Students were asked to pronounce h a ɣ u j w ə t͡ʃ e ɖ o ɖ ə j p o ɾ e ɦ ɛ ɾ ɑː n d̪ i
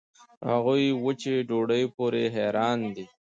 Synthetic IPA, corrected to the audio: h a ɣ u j w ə t͡ʃ e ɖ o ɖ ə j p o ɾ e ɦ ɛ ɾ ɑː n d̪ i